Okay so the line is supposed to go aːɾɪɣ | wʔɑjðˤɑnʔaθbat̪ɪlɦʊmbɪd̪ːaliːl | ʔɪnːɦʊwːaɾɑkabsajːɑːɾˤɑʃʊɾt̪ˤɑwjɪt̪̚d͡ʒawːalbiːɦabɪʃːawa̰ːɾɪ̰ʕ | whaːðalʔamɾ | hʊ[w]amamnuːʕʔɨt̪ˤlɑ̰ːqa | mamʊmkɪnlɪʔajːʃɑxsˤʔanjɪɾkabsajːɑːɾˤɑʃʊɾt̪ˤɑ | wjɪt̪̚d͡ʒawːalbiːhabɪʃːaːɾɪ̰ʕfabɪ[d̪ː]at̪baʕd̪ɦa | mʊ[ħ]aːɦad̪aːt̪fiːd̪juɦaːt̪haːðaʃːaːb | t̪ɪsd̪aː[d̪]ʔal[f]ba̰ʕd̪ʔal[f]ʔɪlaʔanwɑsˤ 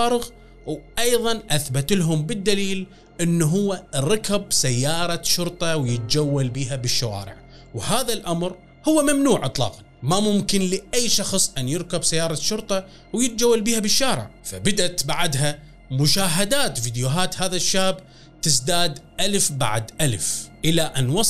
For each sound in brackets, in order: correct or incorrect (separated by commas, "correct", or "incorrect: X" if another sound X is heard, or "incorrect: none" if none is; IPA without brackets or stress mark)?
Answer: incorrect: wː, incorrect: d̪, incorrect: ʃ, correct, correct, correct